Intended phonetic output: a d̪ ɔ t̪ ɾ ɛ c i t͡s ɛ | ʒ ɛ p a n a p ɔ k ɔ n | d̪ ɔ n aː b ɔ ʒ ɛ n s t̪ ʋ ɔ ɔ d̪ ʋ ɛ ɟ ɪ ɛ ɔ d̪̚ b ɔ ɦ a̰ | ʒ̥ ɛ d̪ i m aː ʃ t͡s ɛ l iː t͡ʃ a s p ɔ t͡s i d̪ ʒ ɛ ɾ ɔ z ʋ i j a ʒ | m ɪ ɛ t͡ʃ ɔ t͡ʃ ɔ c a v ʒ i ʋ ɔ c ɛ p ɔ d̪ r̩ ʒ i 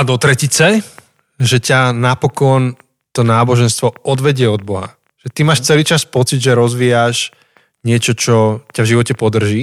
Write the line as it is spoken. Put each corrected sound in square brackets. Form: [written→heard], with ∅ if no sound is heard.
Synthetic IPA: a d̪ ɔ t̪ ɾ ɛ c i t͡s ɛ | ʒ ɛ [p→c] a n a p ɔ k ɔ n | [d̪→t̪] ɔ n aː b ɔ ʒ ɛ n s t̪ ʋ ɔ ɔ d̪ ʋ ɛ ɟ ɪ ɛ ɔ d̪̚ b ɔ ɦ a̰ | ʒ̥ ɛ [d̪→t̪] i m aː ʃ t͡s ɛ l iː t͡ʃ a s p ɔ t͡s i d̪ ʒ ɛ ɾ ɔ z ʋ i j a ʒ | [m→ɲ] ɪ ɛ t͡ʃ ɔ t͡ʃ ɔ c a v ʒ i ʋ ɔ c ɛ p ɔ d̪ r̩ ʒ i